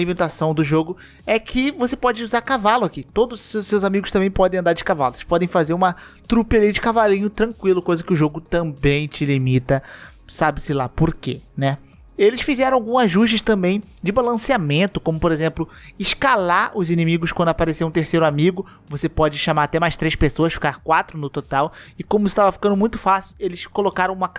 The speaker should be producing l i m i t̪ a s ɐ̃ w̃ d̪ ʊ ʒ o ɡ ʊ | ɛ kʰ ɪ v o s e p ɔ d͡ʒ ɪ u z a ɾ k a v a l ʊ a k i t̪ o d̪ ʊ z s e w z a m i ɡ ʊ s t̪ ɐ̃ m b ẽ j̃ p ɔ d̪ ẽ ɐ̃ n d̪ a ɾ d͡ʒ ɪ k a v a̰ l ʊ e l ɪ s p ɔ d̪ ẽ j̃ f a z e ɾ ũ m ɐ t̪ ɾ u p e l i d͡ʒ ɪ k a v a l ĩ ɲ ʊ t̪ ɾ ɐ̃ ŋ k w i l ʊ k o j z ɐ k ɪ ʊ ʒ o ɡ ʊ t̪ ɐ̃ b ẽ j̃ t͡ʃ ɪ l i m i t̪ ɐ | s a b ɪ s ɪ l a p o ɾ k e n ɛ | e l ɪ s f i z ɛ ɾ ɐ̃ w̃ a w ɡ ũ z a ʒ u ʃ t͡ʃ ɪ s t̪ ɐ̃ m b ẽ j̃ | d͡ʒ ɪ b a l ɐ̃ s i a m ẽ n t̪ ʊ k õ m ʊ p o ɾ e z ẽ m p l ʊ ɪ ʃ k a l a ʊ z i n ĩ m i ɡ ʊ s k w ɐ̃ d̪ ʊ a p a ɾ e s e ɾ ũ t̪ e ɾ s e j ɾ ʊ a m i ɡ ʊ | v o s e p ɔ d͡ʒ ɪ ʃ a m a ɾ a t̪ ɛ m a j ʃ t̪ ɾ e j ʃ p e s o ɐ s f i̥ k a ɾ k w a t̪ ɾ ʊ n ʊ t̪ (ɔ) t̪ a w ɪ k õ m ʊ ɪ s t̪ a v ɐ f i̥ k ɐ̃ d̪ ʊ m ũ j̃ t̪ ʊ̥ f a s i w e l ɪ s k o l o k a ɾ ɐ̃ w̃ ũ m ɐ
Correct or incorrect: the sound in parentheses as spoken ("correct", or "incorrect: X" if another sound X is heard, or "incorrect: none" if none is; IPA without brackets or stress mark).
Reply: incorrect: o